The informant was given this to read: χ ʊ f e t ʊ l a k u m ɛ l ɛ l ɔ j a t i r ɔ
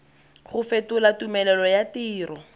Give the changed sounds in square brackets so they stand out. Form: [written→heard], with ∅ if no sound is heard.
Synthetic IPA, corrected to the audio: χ ʊ f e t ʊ l a [k→t] u m ɛ l ɛ l ɔ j a t [i→iː] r ɔ